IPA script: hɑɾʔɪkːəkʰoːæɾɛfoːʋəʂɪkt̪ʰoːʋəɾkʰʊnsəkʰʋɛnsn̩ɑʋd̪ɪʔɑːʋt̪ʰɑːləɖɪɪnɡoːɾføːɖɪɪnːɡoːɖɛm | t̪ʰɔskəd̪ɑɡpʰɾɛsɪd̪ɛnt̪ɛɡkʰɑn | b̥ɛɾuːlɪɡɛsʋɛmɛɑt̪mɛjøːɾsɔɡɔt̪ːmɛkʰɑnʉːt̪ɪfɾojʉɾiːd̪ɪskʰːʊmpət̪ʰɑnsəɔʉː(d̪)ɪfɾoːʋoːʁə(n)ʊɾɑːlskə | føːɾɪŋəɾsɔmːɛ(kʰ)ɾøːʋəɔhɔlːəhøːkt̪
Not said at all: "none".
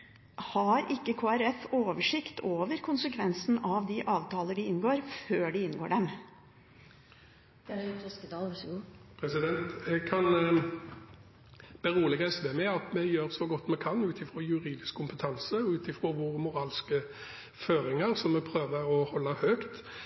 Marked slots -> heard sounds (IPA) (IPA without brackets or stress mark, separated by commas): t̪, m, pʰ